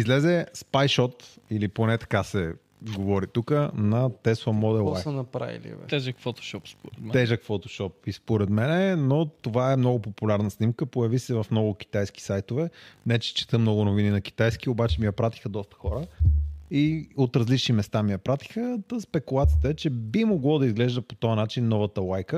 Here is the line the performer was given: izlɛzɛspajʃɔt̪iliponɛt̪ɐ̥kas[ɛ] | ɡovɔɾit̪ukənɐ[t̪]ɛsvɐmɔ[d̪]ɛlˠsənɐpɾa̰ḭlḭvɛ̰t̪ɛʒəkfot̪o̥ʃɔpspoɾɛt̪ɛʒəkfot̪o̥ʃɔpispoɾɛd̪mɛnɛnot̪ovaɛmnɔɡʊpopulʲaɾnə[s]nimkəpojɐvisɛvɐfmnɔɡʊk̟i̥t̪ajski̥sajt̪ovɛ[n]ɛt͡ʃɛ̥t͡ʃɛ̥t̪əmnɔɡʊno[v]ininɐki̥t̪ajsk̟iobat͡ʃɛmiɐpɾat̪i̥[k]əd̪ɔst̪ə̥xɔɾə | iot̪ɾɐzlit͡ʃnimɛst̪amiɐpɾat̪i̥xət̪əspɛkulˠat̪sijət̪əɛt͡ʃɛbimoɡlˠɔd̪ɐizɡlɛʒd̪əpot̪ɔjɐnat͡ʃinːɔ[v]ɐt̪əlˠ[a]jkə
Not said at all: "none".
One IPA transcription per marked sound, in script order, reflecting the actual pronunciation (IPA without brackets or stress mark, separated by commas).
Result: ɛ, t̪, d̪, s, n, v, x, v, a